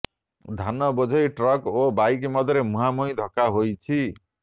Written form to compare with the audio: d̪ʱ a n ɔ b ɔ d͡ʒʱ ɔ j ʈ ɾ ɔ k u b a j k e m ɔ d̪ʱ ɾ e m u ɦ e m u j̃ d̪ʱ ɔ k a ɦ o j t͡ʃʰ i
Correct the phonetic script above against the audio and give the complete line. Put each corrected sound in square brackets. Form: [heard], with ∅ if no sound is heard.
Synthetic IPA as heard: d̪ʱ a n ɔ b ɔ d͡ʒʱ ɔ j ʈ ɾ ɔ k [o] b a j k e m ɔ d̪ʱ ɾ e m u ɦ [a] m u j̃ d̪ʱ ɔ k a ɦ o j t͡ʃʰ i